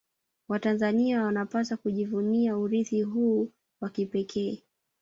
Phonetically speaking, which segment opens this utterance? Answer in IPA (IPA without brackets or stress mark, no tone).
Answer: w